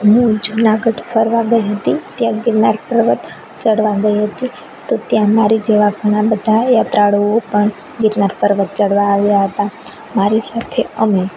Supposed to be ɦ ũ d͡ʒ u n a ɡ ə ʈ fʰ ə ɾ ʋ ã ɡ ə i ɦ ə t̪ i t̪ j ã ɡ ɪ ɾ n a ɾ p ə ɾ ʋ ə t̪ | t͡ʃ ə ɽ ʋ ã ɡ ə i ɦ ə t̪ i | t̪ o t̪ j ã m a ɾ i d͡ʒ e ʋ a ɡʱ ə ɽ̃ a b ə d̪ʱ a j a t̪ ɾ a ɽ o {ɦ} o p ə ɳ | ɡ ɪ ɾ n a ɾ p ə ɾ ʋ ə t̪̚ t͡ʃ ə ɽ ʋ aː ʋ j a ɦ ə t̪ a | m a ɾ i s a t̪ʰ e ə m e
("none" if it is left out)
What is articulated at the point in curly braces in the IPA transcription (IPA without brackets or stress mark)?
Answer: none